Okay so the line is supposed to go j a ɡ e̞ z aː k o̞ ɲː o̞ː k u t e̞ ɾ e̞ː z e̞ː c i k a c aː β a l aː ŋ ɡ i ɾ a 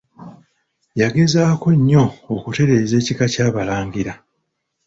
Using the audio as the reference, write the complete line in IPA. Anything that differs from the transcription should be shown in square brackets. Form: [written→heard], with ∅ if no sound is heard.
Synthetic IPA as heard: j a ɡ e̞ z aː k o̞ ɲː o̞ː k u t e̞ ɾ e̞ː z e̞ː c i k a c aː β a l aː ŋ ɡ i ɾ a